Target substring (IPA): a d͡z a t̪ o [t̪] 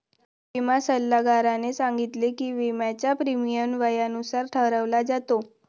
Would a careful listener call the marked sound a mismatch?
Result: yes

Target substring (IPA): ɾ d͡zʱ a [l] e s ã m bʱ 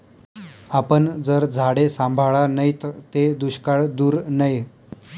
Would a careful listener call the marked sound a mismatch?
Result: yes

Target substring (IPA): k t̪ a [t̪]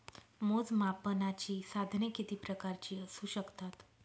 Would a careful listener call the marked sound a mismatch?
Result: no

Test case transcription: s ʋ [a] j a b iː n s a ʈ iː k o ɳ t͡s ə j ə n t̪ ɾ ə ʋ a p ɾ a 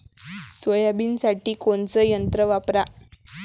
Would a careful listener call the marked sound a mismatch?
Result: yes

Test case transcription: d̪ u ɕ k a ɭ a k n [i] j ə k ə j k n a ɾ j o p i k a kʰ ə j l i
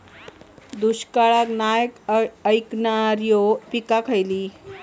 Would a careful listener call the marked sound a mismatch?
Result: yes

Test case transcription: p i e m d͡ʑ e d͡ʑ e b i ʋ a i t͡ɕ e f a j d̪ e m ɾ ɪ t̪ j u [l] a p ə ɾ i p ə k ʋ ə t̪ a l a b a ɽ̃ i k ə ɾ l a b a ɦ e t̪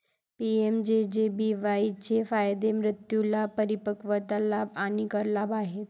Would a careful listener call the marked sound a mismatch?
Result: no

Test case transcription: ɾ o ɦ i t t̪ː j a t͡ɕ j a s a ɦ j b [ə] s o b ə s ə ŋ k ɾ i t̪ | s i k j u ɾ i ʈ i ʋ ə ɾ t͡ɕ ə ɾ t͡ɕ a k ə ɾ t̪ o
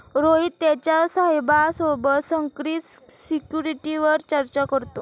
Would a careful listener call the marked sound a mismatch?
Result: yes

